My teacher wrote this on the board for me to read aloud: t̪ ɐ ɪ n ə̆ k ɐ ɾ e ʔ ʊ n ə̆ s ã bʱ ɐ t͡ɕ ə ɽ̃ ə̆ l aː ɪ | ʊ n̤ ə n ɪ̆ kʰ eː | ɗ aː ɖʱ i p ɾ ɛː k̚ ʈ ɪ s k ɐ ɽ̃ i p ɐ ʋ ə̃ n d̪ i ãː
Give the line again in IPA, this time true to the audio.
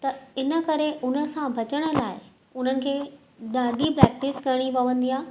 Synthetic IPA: t̪ ɐ ɪ n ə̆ k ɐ ɾ e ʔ ʊ n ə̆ s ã bʱ ɐ t͡ɕ ə ɽ̃ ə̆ l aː ɪ | ʊ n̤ ə n ɪ̆ kʰ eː | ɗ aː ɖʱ i p ɾ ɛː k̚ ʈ ɪ s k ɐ ɽ̃ i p ɐ ʋ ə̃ n d̪ i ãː